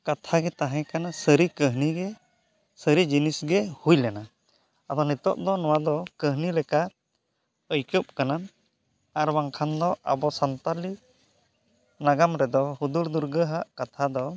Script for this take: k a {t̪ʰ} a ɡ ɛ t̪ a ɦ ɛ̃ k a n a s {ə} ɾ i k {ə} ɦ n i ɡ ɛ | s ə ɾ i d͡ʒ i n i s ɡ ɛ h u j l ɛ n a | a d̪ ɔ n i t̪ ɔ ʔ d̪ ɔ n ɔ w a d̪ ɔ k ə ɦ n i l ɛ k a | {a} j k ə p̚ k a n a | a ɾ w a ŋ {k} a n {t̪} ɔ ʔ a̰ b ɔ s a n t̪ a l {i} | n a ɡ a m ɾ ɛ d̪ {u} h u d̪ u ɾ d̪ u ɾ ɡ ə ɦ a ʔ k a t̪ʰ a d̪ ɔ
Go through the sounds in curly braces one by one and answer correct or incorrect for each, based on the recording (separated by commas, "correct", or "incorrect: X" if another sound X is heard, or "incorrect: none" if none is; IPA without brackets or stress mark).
correct, correct, correct, incorrect: ə, incorrect: kʰ, incorrect: d̪, correct, incorrect: ɔ